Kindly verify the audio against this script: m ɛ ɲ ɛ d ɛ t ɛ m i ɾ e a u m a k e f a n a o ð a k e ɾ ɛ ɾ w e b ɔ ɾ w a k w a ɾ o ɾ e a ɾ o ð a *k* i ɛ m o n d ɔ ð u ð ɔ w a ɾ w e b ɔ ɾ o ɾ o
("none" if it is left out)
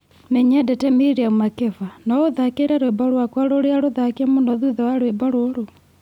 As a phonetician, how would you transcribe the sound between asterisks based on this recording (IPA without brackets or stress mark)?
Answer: k